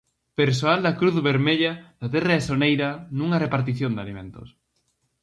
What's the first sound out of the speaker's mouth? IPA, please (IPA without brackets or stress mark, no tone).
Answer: p